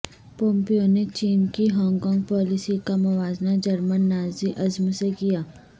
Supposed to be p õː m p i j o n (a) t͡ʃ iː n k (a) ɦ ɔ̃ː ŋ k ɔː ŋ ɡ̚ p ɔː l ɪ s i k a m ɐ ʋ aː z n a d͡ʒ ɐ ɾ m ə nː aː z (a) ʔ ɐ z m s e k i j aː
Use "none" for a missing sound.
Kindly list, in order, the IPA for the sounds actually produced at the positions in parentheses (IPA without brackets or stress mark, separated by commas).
e, i, i